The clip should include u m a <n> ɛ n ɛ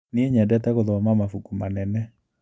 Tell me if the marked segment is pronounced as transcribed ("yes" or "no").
yes